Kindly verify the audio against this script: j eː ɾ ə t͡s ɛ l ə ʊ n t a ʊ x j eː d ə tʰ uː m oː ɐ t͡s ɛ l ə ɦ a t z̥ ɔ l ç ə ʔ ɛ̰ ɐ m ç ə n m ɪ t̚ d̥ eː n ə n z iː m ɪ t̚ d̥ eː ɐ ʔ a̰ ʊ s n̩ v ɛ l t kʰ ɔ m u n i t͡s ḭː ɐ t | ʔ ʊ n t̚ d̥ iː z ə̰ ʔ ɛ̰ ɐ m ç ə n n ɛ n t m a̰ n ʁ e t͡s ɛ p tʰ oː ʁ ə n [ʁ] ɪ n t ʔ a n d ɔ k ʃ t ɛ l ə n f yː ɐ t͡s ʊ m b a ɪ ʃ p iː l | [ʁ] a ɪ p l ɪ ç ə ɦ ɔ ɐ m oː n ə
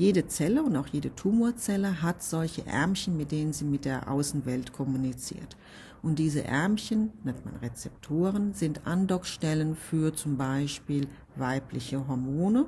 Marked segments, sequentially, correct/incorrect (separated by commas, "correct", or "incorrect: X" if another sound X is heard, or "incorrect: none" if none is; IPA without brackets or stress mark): incorrect: z, incorrect: v